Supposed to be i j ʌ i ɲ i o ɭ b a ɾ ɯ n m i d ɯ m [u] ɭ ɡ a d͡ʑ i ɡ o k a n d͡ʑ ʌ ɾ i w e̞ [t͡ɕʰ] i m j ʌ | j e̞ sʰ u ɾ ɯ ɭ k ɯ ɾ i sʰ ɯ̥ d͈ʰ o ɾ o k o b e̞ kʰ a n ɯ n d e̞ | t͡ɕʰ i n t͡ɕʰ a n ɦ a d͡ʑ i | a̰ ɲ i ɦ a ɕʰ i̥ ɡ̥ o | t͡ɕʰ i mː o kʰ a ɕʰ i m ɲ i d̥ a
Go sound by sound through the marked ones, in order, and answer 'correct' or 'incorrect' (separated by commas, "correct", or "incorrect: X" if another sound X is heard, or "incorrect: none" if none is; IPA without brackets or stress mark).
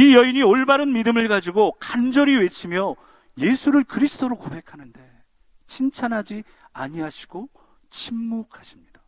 incorrect: ɯ, correct